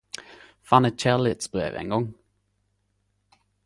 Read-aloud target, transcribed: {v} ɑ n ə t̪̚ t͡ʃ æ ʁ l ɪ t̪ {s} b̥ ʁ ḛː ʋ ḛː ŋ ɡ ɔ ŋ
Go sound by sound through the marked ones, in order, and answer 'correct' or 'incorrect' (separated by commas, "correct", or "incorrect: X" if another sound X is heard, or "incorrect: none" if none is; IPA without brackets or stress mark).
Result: incorrect: f, correct